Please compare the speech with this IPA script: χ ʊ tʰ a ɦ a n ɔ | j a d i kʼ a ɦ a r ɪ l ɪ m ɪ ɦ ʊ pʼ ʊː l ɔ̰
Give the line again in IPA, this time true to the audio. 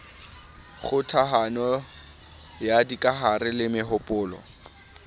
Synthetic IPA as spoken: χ ʊ tʰ a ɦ a n ɔ | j a d i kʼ a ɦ a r ɪ l ɪ m ɪ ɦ ʊ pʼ ʊː l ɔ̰

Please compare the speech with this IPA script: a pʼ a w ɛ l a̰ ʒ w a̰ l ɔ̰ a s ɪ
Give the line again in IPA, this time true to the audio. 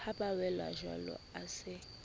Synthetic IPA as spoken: a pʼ a w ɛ l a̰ ʒ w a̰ l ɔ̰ a s ɪ

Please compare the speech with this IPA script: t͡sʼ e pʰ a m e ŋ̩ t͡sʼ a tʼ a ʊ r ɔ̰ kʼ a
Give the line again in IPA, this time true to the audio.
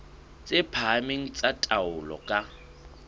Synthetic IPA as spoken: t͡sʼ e pʰ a m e ŋ̩ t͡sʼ a tʼ a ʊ l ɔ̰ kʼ a

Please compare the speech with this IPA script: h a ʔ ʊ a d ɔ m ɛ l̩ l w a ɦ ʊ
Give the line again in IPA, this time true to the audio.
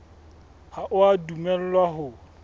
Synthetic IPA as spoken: h a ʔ ʊ a d u m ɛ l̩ l w a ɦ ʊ

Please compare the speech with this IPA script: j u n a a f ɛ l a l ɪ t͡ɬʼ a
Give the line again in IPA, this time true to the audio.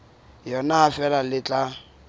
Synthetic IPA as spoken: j ɔ n a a f ɛ l a l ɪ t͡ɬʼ a

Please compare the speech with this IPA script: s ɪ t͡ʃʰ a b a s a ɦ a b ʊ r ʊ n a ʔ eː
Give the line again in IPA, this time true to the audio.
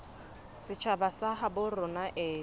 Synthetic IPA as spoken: s ɪ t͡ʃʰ a b a s a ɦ a b ʊ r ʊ n a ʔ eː

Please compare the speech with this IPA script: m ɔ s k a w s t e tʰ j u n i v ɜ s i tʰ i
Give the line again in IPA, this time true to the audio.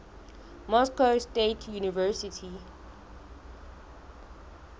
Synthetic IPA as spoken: m ɔ s k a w s t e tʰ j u n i v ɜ s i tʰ i

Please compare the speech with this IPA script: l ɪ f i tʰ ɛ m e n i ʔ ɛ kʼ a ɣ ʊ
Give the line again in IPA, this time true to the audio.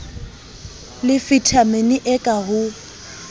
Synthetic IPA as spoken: l ɪ f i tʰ a m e n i ʔ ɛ kʼ a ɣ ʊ

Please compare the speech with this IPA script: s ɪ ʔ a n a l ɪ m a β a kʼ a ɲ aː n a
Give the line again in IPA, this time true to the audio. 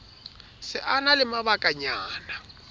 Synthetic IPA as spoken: s ɪ ʔ a n a l ɪ m a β a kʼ a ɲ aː n a

